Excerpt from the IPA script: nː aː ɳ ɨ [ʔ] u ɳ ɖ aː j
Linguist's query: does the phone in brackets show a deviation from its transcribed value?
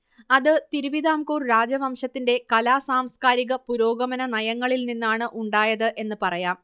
no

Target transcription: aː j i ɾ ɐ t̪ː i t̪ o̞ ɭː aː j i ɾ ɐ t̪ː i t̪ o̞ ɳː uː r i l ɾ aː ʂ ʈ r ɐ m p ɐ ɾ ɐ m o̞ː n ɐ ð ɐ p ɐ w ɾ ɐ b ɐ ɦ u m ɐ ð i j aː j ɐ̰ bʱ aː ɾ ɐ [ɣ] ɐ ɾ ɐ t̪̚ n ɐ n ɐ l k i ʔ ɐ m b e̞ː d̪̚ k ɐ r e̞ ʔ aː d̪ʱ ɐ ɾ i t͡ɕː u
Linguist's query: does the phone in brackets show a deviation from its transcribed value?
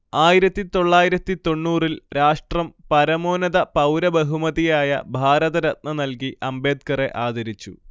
yes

